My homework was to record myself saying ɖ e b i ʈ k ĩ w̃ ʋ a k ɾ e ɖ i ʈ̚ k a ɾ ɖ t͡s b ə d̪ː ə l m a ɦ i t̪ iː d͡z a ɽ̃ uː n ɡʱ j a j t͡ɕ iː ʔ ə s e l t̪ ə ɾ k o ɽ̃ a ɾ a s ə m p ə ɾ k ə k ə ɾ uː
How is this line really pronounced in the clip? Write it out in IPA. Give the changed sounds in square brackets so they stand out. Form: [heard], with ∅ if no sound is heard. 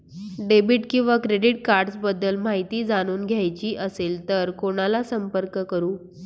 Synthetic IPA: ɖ e b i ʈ k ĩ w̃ ʋ a k ɾ e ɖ i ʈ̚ k a ɾ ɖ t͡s b ə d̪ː ə l m a ɦ i t̪ iː d͡z a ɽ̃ uː n ɡʱ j a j t͡ɕ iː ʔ ə s e l t̪ ə ɾ k o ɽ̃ a [l] a s ə m p ə ɾ k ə k ə ɾ uː